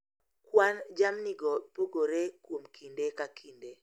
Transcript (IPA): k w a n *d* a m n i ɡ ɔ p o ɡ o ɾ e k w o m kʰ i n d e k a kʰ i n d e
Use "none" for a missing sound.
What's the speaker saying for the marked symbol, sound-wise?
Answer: d͡ʒ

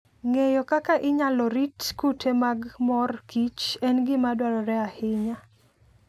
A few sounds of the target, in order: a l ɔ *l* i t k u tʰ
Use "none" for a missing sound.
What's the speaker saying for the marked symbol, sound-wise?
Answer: ɾ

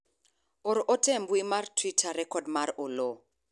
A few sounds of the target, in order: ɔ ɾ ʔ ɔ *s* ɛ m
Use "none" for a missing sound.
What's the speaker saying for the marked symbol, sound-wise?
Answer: t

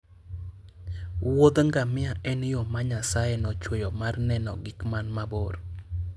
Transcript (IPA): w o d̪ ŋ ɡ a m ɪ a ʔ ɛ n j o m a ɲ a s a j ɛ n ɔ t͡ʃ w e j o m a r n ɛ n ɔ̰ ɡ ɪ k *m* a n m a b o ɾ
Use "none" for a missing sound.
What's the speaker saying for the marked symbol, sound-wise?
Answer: m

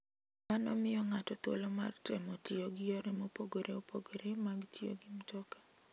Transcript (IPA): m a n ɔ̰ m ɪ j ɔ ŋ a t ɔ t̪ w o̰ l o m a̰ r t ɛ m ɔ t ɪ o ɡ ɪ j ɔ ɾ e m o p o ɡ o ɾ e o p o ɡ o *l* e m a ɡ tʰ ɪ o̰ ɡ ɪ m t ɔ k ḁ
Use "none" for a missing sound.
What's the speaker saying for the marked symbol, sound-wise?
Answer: ɾ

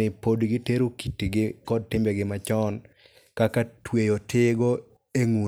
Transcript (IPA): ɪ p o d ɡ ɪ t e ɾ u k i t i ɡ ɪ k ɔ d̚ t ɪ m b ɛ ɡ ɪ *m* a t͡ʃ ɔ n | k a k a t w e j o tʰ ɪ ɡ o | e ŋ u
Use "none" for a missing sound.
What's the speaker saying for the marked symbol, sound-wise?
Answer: m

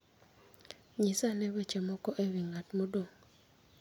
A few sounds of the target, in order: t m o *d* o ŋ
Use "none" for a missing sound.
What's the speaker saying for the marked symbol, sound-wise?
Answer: d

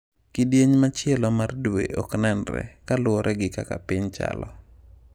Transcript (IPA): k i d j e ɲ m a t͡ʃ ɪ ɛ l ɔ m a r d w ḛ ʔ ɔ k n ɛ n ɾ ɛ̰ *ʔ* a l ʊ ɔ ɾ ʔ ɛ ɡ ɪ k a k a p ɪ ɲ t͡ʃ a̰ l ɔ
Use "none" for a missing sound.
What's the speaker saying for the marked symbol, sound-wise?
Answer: k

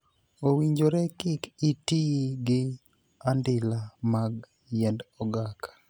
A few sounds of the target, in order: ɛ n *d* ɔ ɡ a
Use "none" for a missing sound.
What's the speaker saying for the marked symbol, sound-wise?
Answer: d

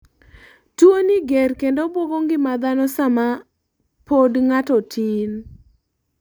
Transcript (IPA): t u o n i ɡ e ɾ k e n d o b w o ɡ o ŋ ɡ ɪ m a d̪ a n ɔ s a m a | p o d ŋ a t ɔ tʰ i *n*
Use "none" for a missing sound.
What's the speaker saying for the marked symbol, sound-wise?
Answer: n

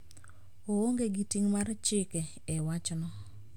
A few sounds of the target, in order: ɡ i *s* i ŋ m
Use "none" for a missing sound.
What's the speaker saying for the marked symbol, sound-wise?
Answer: t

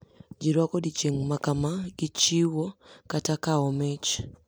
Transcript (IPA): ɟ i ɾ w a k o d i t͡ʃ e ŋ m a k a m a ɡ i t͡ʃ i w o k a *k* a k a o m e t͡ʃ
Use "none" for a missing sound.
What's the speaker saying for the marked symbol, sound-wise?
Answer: t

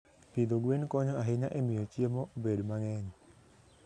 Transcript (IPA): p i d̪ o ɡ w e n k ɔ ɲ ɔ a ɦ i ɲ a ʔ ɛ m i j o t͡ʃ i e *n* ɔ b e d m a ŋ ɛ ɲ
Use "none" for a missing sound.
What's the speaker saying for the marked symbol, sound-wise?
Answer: m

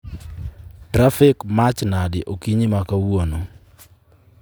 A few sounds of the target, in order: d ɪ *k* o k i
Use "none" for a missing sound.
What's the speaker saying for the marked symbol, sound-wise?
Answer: ʔ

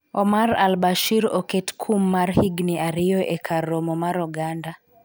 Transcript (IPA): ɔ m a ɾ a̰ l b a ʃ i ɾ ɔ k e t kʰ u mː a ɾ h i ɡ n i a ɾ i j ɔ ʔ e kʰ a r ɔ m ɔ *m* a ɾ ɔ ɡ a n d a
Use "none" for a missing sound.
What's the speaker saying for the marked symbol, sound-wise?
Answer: m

